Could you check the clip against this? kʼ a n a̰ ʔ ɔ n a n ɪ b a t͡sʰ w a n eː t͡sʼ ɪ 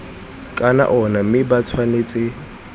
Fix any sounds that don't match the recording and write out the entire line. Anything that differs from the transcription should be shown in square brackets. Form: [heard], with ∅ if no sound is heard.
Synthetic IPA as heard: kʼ a n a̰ ʔ ɔ n a [m] ɪ b a t͡sʰ w a n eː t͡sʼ ɪ